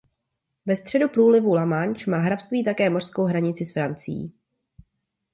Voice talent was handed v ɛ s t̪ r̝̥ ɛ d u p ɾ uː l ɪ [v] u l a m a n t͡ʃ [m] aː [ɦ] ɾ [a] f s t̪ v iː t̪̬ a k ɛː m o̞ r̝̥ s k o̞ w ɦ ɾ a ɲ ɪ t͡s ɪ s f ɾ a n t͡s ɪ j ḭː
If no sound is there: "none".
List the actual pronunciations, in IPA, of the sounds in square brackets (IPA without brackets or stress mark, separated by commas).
v, m, ɦ, a